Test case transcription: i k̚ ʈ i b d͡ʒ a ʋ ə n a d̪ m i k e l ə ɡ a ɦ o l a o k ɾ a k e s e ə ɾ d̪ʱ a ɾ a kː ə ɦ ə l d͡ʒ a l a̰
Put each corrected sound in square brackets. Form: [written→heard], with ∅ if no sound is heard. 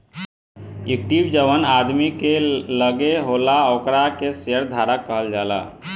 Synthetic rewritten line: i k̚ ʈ i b d͡ʒ [a→ə] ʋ ə n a d̪ m i k e l ə ɡ [a→e] ɦ o l a o k ɾ a k e s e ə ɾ d̪ʱ a ɾ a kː ə ɦ ə l d͡ʒ a l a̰

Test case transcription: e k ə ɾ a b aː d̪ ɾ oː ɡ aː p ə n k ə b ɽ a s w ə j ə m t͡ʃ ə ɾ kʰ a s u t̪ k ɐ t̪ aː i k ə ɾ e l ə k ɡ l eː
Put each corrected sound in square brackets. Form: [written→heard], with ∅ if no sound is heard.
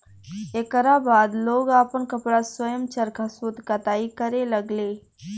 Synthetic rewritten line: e k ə ɾ a b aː d̪ [ɾ→l] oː ɡ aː p ə n k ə [b→p] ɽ a s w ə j ə m t͡ʃ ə ɾ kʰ a s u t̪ k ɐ t̪ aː i k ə ɾ e l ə [k→∅] ɡ l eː

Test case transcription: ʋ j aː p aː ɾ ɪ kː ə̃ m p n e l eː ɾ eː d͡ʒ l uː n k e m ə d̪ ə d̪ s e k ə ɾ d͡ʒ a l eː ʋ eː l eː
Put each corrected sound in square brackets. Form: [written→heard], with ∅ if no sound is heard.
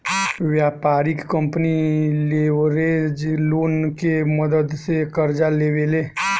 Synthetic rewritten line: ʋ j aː p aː ɾ ɪ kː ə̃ m p n [e→i] l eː ɾ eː d͡ʒ l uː n k e m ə d̪ ə d̪ s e k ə ɾ d͡ʒ a l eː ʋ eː l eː

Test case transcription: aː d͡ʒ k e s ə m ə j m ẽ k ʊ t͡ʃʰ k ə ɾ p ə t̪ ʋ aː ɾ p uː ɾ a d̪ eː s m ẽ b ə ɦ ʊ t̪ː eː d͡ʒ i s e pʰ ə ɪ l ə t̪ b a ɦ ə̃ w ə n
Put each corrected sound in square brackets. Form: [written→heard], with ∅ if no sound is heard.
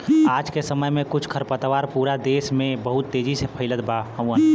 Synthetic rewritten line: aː d͡ʒ k e s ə m ə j m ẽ k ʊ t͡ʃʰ [k→kʰ] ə ɾ p ə t̪ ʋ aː ɾ p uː ɾ a d̪ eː s m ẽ b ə ɦ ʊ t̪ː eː d͡ʒ i s e pʰ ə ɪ l ə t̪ b a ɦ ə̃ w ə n

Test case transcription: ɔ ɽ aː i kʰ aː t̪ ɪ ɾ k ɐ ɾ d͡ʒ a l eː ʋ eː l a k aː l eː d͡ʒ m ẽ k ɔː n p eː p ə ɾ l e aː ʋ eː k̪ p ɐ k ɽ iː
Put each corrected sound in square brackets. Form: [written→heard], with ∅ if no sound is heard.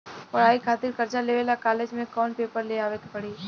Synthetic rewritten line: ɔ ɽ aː i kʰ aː t̪ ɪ ɾ k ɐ ɾ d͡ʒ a l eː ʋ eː l a k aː l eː d͡ʒ m ẽ k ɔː n p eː p ə ɾ l e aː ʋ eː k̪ p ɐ [k→∅] ɽ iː

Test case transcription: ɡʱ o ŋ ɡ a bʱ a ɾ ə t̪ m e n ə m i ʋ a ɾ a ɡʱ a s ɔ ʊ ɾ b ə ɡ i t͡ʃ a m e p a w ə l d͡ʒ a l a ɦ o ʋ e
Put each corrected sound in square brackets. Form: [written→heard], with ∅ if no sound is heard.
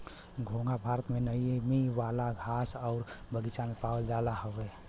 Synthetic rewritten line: ɡʱ o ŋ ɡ a bʱ a ɾ ə t̪ m e n ə m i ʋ a [ɾ→l] a ɡʱ a s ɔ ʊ ɾ b ə ɡ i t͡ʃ a m e p a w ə l d͡ʒ a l a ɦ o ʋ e

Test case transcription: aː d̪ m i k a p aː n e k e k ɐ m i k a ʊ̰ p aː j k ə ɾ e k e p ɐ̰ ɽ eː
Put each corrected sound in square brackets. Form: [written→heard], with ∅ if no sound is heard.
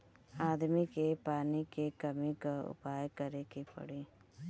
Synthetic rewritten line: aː d̪ m i k [a→e] p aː n [e→i] k e k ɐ m i k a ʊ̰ p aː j k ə ɾ e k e p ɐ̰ ɽ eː

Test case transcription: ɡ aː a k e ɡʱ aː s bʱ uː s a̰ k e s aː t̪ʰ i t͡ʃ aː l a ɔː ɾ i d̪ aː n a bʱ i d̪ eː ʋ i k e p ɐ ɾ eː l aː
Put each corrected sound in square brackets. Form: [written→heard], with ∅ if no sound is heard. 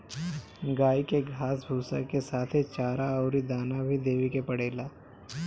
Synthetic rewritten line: ɡ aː [a→i] k e ɡʱ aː s bʱ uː s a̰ k e s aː t̪ʰ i t͡ʃ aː [l→ɾ] a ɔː ɾ i d̪ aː n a bʱ i d̪ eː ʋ i k e p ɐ [ɾ→ɽ] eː l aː

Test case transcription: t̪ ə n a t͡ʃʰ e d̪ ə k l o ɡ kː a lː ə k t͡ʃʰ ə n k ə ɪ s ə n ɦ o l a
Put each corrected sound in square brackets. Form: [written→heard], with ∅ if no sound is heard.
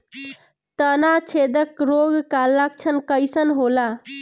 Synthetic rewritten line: t̪ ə n a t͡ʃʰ e d̪ ə k [l→ɾ] o ɡ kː a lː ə k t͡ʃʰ ə n k ə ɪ s ə n ɦ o l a

